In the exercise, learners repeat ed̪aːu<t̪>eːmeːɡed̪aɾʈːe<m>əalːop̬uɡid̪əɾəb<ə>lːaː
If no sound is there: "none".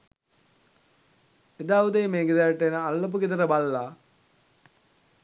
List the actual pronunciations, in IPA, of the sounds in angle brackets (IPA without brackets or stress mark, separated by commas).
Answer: d̪, n, a